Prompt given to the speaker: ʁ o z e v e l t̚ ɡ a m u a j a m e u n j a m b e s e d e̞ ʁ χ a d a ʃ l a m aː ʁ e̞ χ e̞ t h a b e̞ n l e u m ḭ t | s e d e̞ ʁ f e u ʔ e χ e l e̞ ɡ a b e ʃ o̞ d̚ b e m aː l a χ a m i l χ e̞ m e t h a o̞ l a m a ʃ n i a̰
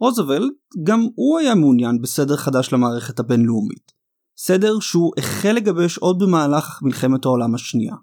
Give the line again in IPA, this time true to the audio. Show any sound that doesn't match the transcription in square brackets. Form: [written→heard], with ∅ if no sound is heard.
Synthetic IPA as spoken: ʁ o z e v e l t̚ ɡ a m u a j a m e u n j a [m→n] b e s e d e̞ ʁ χ a d a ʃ l a m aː ʁ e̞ χ e̞ t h a b e̞ n l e u m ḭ t | s e d e̞ ʁ [f→ʃ] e u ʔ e χ e l e̞ ɡ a b e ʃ o̞ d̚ b e m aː l a χ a m i l χ e̞ m e t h a o̞ l a m a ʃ n i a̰